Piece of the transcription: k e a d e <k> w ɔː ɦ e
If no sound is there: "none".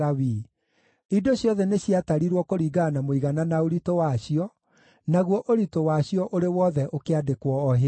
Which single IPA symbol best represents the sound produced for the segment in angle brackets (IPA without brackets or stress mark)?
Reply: k